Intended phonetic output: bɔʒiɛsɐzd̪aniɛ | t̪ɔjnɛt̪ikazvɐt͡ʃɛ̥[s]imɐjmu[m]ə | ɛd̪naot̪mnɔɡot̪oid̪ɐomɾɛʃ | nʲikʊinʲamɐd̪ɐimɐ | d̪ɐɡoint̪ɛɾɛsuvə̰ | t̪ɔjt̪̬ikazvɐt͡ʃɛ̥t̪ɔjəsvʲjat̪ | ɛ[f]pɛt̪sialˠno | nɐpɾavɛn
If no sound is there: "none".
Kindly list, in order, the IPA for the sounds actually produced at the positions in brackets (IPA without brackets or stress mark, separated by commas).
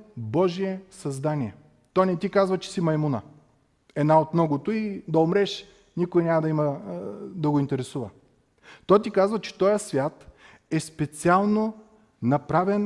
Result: s, n, s